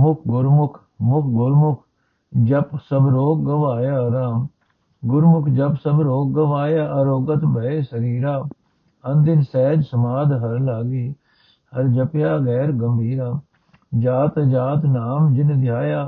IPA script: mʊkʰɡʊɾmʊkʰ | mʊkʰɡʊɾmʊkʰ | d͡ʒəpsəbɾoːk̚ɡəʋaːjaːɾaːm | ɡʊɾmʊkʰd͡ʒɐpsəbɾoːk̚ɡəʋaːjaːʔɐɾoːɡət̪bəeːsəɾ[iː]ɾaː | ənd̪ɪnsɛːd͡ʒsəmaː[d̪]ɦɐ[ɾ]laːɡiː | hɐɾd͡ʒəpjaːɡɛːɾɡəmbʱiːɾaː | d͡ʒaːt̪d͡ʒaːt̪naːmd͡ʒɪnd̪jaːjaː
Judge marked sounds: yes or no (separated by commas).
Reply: yes, yes, yes